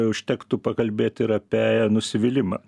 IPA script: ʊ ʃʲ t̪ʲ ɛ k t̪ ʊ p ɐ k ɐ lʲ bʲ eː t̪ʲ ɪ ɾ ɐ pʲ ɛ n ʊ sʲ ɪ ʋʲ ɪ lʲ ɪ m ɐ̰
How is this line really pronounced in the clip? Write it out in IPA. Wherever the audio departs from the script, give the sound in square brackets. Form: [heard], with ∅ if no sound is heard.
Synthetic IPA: ʊ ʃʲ t̪ʲ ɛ k t̪ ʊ p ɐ k ɐ lʲ bʲ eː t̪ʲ ɪ ɾ ɐ pʲ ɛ n ʊ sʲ ɪ ʋʲ ɪ lʲ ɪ m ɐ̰